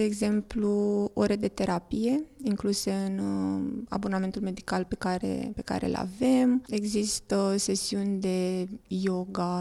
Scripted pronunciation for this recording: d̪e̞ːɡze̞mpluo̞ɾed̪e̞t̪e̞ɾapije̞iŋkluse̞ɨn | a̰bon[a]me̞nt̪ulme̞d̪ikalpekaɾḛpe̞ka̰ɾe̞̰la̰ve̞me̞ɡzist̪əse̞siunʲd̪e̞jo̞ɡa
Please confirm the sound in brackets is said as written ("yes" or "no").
yes